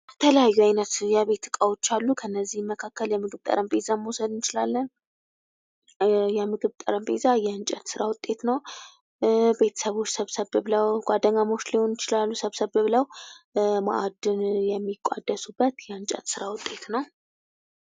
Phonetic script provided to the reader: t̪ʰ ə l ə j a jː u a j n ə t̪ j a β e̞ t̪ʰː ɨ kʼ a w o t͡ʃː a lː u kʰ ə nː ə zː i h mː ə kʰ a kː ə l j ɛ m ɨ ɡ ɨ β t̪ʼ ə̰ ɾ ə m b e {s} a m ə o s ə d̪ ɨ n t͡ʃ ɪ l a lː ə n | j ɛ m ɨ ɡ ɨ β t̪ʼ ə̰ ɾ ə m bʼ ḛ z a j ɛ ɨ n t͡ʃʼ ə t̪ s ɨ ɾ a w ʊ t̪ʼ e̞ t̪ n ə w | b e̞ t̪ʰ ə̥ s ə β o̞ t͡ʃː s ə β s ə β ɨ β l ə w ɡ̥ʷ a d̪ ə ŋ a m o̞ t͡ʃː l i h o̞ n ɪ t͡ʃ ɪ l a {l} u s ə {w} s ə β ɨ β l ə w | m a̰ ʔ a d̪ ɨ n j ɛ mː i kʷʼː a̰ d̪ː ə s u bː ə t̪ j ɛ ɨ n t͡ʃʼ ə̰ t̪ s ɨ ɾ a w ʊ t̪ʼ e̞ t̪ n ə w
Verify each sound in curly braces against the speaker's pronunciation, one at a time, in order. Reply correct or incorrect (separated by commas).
incorrect, incorrect, incorrect